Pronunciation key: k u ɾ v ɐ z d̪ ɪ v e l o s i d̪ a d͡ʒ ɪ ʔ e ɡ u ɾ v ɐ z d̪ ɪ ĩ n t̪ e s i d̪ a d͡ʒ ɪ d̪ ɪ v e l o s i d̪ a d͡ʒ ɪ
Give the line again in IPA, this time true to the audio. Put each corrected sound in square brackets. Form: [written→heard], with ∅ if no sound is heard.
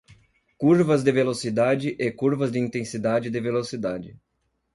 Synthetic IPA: k u ɾ v ɐ z d̪ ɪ v e l o s i d̪ a d͡ʒ ɪ ʔ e [ɡ→k] u ɾ v ɐ z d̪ ɪ ĩ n t̪ [e→ẽ] s i d̪ a d͡ʒ ɪ d̪ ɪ v e l o s i d̪ a d͡ʒ ɪ